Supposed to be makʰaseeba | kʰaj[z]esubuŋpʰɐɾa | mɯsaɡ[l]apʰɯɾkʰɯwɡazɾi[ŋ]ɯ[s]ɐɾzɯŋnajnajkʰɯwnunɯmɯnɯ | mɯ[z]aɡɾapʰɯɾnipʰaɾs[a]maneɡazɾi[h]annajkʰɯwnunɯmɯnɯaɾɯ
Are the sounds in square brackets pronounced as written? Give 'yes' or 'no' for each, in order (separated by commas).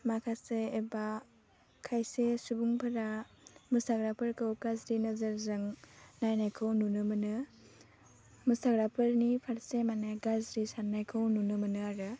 no, no, no, no, no, no, no